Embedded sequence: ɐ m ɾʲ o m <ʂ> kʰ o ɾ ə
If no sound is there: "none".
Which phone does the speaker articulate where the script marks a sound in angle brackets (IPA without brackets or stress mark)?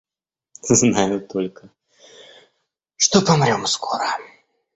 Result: s